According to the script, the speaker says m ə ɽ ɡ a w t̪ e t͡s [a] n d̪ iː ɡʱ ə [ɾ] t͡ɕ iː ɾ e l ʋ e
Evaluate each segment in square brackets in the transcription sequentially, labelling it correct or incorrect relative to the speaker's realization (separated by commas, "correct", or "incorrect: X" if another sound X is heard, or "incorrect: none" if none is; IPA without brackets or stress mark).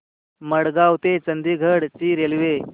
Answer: incorrect: ə, incorrect: ɽ